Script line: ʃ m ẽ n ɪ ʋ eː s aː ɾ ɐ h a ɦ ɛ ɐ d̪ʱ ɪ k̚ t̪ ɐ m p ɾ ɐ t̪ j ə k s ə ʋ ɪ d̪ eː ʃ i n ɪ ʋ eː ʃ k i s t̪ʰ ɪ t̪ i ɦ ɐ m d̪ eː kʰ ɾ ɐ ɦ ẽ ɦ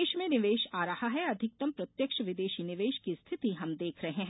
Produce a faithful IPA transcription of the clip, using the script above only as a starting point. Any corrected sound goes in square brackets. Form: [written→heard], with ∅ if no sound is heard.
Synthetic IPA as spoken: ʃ m ẽ n ɪ ʋ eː [s→ʃ] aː ɾ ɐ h a ɦ ɛ ɐ d̪ʱ ɪ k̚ t̪ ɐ m p ɾ ɐ t̪ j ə k [s→ʃ] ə ʋ ɪ d̪ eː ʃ i n ɪ ʋ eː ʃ k i s t̪ʰ ɪ t̪ i ɦ ɐ m d̪ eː kʰ ɾ ɐ ɦ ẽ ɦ